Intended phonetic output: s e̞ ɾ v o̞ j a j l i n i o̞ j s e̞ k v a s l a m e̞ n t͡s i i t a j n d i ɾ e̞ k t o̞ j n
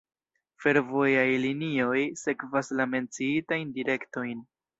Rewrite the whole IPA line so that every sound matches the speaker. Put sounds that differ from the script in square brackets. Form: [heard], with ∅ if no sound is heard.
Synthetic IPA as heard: [f] e̞ ɾ v o̞ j a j l i n i o̞ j s e̞ k v a s l a m e̞ n t͡s i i t a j n d i ɾ e̞ k t o̞ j n